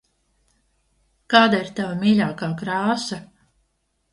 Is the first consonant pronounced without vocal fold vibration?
yes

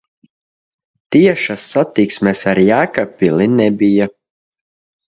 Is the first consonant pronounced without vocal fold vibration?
yes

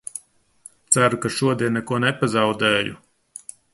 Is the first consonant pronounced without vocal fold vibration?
yes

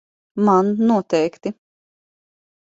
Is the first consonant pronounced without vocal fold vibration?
no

